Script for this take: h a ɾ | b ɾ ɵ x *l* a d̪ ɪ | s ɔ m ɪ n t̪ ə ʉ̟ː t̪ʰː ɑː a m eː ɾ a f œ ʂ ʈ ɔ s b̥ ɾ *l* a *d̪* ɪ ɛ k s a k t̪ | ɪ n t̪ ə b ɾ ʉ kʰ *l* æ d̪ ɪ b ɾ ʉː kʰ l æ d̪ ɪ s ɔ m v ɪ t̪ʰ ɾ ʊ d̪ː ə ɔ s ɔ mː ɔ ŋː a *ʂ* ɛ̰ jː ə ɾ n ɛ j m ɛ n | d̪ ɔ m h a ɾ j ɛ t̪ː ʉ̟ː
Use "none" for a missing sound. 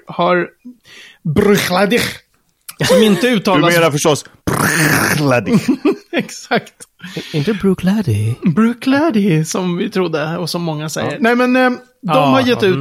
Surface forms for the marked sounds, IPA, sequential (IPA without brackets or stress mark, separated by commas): l, l, d̪, l, s